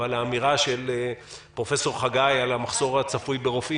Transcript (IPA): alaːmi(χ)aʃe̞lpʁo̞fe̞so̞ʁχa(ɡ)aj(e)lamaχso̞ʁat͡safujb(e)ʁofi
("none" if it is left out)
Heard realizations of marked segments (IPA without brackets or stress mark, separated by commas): ʁ, ɡ, a, e